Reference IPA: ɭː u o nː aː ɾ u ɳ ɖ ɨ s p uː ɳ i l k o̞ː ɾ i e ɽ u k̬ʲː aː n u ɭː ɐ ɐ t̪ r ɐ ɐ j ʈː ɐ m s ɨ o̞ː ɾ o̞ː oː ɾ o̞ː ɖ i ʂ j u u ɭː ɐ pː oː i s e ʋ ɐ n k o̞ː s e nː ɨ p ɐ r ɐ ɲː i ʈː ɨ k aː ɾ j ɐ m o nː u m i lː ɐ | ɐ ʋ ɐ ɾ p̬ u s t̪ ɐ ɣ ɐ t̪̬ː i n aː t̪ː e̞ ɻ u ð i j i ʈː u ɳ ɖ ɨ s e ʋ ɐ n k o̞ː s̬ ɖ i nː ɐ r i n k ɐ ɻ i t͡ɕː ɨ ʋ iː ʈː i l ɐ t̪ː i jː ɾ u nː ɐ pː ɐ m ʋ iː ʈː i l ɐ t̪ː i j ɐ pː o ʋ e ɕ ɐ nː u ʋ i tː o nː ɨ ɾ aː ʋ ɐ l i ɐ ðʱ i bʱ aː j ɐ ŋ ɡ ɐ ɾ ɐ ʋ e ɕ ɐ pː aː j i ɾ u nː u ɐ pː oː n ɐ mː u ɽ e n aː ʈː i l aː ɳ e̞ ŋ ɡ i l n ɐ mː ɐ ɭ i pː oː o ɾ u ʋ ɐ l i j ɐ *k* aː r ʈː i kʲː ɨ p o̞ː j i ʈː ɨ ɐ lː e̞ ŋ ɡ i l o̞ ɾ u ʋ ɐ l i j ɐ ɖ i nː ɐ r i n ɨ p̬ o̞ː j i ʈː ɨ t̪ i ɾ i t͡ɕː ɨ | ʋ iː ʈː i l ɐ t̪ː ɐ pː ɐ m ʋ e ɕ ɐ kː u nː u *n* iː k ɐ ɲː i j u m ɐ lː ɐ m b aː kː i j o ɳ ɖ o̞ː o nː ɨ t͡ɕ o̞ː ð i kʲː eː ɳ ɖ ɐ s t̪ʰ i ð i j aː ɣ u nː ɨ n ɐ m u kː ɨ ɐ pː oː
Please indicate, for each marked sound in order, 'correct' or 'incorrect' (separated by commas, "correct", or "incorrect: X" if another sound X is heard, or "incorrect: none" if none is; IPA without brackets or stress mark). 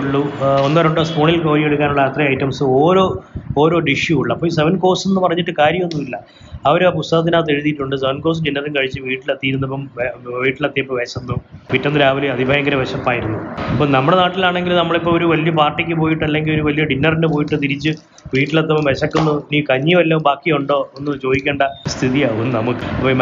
incorrect: p, correct